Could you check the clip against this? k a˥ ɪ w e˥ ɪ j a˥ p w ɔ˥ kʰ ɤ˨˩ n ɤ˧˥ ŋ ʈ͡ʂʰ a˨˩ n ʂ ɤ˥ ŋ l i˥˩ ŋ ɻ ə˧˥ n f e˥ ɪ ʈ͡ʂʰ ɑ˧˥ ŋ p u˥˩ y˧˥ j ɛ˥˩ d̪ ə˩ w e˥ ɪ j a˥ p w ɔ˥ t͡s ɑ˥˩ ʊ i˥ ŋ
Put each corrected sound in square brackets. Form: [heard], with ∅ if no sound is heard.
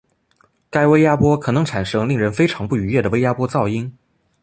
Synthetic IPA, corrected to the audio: k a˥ ɪ w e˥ ɪ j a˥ p w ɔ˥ kʰ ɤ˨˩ n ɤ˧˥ ŋ ʈ͡ʂʰ a˨˩ n ʂ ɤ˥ ŋ l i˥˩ ŋ ɻ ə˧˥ n f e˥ ɪ ʈ͡ʂʰ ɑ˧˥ ŋ p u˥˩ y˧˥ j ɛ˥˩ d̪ ə˩ w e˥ ɪ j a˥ p w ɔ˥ t͡s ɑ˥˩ ʊ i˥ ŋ